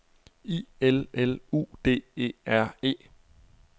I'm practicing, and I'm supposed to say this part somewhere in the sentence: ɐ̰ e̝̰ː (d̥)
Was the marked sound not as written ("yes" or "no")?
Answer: yes